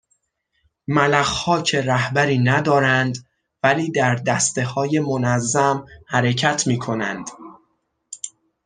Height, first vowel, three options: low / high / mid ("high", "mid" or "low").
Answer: low